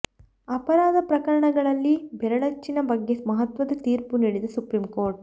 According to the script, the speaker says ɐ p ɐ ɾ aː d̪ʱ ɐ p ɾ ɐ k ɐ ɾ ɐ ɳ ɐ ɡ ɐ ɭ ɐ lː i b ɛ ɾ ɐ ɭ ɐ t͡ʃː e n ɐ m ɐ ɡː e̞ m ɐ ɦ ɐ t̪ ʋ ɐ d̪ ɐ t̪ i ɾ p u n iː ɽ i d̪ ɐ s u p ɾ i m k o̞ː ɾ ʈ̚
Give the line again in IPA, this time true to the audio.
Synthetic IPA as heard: ɐ p ɐ ɾ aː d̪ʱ ɐ p ɾ ɐ k ɐ ɾ ɐ ɳ ɐ ɡ ɐ ɭ ɐ lː i b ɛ ɾ ɐ ɭ ɐ t͡ʃː i n ɐ b ɐ ɡː e̞ m ɐ ɦ ɐ t̪ ʋ ɐ d̪ ɐ t̪ iː ɾ p u n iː ɽ i d̪ ɐ s u p ɾ i m k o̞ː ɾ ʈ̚